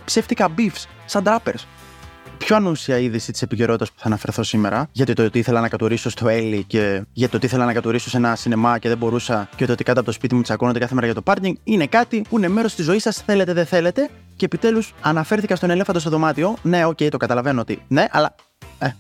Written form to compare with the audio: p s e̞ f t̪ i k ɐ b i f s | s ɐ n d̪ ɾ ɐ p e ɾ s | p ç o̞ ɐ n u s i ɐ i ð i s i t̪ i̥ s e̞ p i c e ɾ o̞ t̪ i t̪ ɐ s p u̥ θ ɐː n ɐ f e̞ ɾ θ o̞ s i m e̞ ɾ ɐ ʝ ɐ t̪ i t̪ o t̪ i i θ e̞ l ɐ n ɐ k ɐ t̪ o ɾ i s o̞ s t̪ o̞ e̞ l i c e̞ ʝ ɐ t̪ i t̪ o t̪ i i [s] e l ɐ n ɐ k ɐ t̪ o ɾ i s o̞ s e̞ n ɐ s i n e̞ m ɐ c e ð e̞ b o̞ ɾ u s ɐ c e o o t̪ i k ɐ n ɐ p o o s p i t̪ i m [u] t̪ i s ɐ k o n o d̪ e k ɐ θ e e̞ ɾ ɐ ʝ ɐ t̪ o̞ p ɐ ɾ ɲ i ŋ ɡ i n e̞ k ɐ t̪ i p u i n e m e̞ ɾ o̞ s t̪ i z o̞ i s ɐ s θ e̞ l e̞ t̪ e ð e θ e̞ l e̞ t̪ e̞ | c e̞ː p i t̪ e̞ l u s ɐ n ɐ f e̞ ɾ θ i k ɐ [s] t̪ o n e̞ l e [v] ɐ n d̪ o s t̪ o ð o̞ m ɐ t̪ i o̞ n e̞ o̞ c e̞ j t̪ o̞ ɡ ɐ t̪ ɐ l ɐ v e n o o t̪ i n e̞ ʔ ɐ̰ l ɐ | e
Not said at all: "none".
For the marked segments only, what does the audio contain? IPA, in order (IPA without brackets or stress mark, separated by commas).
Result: θ, u, s, f